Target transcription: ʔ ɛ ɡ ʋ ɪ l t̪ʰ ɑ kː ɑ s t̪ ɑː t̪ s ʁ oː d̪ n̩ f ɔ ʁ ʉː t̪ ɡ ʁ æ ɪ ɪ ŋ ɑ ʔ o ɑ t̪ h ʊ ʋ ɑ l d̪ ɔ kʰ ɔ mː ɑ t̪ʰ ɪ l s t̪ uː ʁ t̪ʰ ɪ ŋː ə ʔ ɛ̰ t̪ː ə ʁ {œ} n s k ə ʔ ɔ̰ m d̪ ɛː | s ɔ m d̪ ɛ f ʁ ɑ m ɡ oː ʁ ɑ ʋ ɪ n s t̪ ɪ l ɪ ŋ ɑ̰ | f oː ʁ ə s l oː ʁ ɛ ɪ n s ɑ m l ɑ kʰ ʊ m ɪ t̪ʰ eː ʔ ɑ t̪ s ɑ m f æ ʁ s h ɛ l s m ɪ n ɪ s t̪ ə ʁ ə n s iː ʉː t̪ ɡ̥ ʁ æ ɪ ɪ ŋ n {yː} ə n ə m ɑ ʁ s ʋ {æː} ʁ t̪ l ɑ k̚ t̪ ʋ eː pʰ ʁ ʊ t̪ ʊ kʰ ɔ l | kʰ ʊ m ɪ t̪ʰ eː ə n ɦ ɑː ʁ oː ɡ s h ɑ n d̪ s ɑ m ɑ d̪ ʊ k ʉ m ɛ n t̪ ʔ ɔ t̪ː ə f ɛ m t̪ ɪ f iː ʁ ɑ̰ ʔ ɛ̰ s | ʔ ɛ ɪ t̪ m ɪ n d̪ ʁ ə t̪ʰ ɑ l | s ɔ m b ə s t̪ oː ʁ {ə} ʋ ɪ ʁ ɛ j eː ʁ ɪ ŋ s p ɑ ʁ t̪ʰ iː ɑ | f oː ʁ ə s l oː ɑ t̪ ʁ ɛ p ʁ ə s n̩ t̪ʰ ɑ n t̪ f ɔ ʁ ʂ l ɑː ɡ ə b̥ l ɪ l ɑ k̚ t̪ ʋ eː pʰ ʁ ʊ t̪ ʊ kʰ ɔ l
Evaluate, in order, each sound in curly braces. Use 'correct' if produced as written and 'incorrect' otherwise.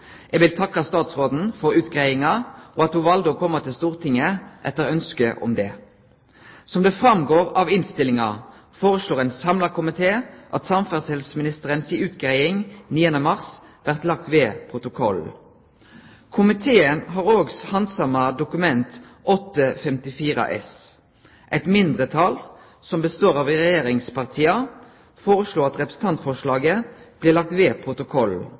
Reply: correct, incorrect, incorrect, incorrect

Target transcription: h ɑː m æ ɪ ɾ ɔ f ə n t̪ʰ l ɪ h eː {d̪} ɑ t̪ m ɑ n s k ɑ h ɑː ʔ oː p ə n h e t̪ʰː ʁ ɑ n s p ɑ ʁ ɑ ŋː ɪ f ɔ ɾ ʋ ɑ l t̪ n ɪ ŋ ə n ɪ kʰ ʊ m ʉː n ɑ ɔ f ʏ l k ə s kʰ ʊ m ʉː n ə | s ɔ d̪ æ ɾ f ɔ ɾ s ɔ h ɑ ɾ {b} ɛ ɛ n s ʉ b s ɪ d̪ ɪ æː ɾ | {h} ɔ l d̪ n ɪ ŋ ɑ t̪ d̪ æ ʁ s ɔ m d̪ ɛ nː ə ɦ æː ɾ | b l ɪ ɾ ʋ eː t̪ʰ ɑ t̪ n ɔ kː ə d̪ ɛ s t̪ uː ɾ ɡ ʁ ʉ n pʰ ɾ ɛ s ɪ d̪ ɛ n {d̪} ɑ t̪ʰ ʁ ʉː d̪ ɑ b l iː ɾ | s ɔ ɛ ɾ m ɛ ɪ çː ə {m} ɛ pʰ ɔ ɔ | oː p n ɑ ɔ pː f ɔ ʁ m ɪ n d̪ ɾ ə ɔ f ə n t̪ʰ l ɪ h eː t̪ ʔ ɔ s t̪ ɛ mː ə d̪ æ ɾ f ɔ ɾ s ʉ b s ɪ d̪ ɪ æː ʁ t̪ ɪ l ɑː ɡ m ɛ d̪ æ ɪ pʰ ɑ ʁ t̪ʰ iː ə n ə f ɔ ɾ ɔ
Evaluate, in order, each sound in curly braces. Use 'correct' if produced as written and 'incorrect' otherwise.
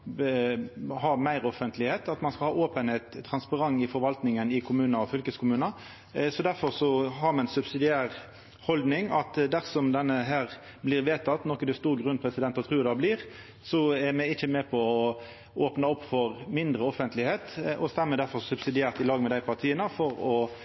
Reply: incorrect, incorrect, correct, incorrect, correct

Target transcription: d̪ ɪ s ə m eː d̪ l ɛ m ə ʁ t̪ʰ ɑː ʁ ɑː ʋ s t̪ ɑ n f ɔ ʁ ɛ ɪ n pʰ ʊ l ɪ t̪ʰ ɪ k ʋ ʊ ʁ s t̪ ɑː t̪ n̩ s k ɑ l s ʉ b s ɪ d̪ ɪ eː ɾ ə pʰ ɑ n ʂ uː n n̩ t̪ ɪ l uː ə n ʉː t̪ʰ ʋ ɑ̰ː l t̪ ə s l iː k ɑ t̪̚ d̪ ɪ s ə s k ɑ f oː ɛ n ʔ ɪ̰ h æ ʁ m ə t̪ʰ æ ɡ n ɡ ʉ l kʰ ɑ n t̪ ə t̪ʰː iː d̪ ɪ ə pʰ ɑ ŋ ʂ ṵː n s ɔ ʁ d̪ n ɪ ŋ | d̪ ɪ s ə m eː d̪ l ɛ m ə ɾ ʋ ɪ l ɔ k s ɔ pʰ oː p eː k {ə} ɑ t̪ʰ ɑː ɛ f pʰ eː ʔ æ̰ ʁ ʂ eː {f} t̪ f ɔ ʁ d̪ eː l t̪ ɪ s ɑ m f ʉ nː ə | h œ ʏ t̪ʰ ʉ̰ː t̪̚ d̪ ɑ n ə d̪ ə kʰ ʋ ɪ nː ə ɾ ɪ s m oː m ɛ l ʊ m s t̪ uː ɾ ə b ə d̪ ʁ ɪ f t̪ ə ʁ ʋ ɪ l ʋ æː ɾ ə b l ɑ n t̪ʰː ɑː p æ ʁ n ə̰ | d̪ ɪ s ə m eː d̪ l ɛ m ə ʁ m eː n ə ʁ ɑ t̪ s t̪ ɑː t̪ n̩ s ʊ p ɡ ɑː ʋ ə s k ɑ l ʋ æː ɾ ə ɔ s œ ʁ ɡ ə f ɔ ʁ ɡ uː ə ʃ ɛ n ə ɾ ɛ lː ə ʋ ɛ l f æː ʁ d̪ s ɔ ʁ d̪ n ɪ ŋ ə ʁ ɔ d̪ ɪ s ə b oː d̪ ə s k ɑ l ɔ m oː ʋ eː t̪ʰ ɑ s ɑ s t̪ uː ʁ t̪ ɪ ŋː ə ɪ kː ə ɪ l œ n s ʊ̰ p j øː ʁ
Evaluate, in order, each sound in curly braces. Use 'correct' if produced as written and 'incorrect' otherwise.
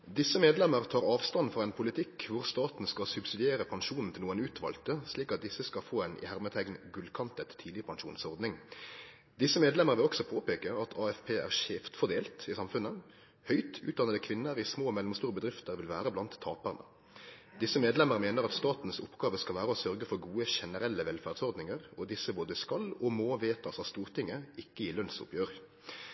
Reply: correct, correct

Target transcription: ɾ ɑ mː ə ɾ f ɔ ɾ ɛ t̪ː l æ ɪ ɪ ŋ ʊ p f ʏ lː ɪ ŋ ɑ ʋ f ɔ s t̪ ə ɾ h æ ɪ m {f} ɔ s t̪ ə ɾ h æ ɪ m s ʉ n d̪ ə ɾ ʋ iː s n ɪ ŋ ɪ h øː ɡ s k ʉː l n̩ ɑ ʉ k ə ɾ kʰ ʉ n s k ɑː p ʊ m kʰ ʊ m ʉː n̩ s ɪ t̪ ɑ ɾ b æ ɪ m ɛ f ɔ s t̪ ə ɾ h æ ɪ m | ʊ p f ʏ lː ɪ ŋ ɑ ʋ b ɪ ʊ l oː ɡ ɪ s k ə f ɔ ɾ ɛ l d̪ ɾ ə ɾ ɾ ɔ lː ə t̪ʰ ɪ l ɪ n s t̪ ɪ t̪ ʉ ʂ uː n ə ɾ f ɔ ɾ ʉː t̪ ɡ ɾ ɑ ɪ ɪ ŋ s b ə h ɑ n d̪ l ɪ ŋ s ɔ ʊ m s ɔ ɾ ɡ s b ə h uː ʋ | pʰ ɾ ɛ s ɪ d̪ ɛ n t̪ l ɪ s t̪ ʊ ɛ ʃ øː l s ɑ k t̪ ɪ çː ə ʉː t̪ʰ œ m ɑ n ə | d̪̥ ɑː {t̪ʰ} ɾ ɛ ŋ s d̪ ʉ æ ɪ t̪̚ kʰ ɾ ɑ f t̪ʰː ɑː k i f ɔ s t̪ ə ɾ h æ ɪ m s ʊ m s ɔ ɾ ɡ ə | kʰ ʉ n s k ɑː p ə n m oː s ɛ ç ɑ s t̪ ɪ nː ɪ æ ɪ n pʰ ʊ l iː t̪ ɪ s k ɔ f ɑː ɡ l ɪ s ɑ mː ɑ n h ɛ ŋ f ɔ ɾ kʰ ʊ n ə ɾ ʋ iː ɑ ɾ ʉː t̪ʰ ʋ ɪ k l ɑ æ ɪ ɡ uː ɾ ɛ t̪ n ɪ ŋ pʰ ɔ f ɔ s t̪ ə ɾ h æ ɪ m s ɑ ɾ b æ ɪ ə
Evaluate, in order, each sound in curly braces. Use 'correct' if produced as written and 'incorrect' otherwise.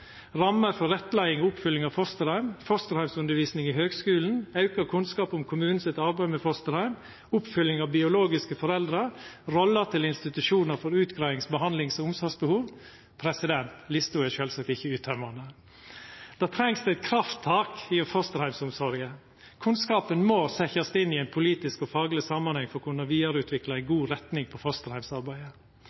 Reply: correct, correct

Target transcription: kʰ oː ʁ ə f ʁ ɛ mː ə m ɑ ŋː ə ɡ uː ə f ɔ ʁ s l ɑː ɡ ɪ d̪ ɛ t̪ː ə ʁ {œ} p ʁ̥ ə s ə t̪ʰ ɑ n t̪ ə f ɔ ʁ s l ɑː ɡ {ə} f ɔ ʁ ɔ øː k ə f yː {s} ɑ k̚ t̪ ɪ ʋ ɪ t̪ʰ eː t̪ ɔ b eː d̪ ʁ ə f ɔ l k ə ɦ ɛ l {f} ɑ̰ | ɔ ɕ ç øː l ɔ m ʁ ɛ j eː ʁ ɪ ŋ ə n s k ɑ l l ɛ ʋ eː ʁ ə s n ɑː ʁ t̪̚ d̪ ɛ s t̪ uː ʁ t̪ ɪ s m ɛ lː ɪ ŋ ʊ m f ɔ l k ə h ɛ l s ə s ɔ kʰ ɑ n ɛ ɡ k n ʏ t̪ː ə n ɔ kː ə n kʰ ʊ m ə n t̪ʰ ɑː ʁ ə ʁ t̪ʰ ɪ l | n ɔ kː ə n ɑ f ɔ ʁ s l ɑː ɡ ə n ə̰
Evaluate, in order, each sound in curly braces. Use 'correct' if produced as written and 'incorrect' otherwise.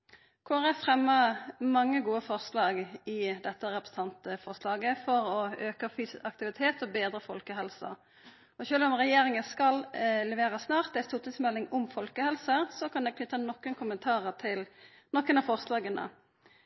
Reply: incorrect, correct, correct, incorrect

